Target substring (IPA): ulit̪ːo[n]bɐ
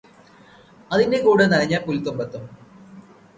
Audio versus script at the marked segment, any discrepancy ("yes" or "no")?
yes